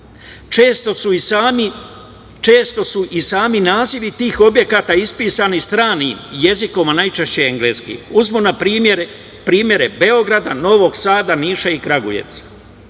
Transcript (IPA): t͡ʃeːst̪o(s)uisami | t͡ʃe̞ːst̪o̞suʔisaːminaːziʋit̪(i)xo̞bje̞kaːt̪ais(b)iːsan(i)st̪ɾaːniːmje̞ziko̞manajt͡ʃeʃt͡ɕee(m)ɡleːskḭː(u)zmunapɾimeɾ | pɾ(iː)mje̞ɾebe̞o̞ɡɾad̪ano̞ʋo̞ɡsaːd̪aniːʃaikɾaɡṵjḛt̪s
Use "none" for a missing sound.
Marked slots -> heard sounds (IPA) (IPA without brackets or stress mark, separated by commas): s, iː, p, i, ŋ, u, iː